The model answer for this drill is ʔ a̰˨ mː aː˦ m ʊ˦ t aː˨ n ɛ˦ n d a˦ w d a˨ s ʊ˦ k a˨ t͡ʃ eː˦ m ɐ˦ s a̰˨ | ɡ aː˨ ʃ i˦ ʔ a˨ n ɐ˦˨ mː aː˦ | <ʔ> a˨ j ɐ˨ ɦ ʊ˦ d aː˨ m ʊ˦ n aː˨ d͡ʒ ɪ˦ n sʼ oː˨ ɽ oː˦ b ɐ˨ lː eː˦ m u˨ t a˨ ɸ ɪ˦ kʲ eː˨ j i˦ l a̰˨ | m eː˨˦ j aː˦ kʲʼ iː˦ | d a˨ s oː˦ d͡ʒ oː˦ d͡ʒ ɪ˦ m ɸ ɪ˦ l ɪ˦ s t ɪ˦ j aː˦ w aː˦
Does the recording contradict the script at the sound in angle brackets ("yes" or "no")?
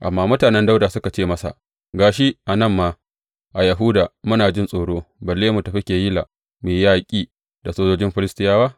no